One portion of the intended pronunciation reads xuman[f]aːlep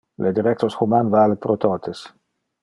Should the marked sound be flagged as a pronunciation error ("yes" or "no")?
yes